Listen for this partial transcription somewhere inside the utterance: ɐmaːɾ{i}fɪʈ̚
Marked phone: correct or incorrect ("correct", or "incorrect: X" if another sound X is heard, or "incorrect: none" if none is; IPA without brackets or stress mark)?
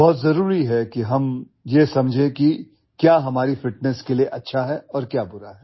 correct